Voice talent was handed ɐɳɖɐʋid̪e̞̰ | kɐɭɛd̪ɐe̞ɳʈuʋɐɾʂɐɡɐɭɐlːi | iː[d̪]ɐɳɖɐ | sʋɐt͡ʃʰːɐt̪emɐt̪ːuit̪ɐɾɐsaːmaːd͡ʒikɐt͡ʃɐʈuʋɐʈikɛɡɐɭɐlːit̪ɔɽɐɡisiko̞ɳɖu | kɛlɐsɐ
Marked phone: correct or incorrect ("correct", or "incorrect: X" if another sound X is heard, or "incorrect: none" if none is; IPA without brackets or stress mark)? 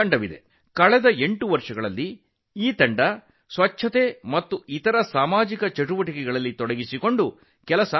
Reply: incorrect: t̪